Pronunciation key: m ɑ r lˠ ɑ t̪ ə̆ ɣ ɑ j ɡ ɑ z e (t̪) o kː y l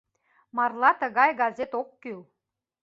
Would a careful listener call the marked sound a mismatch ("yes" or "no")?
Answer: no